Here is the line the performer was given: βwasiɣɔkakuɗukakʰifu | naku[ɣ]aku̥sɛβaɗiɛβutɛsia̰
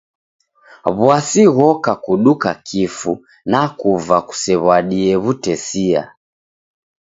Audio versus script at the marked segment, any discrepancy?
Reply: yes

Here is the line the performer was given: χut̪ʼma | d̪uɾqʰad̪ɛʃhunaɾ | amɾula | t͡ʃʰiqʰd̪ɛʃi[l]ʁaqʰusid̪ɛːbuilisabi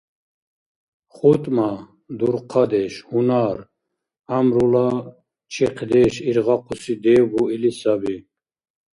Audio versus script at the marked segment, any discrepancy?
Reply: yes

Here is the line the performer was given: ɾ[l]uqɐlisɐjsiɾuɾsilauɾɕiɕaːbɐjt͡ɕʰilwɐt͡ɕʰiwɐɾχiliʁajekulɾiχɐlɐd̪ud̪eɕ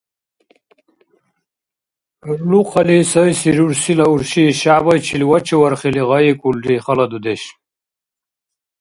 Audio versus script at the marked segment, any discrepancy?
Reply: no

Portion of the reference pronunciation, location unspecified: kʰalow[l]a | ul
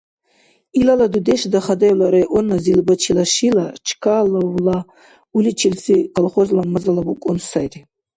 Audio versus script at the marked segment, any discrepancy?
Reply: no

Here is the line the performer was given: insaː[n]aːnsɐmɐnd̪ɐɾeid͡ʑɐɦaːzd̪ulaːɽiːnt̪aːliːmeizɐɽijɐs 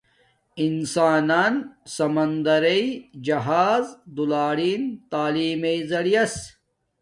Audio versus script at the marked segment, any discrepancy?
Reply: no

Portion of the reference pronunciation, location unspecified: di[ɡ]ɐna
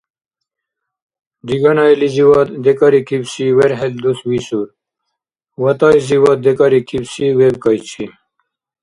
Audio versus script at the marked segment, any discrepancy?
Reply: no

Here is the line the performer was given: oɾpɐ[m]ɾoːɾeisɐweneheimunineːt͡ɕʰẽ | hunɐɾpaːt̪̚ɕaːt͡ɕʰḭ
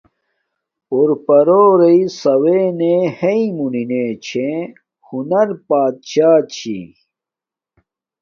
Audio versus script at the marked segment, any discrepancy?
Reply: yes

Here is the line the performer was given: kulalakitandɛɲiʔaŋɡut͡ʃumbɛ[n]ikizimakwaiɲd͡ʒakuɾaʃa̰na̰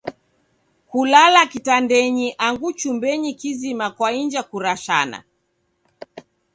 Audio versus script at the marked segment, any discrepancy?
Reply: yes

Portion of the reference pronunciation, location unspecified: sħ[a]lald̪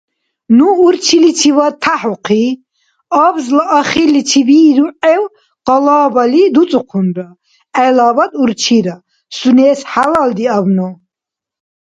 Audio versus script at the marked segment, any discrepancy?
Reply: no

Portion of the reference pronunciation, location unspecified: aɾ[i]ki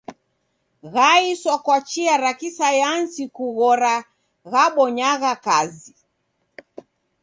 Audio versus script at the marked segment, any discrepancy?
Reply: yes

